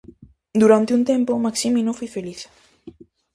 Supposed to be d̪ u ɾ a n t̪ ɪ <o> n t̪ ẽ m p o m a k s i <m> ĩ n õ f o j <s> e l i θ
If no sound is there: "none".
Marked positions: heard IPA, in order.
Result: u, m, f

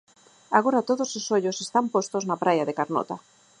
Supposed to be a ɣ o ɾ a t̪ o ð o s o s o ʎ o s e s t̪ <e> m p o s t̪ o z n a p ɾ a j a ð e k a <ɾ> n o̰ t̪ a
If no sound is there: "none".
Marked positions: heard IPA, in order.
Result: a, ɾ

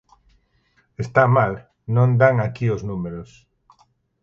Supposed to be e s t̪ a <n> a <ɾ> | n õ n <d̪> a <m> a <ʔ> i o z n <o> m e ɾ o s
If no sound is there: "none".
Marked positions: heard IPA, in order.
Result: m, l, d̪, ŋ, k, u

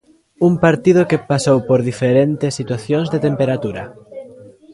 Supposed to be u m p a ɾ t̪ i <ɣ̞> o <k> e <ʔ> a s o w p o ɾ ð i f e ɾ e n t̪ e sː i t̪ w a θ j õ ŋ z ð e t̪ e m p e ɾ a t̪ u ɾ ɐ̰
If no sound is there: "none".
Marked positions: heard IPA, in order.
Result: ð̞, k, p

